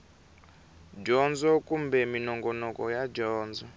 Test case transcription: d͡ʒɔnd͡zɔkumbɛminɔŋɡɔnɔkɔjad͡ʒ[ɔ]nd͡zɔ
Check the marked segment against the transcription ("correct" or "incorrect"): incorrect